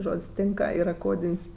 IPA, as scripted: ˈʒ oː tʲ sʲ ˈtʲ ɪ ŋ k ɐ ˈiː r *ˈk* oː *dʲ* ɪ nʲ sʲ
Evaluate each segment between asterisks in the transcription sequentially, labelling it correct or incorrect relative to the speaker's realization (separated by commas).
correct, correct